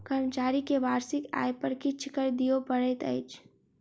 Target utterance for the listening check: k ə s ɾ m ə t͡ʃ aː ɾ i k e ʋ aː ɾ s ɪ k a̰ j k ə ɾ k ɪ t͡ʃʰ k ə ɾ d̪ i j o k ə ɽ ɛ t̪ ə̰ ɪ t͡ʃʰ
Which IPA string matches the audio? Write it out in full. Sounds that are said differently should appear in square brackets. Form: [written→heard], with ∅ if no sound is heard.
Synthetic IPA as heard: k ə [s→∅] ɾ m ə t͡ʃ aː ɾ i k e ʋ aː ɾ s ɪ k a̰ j [k→p] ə ɾ k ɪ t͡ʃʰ k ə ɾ d̪ i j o [k→p] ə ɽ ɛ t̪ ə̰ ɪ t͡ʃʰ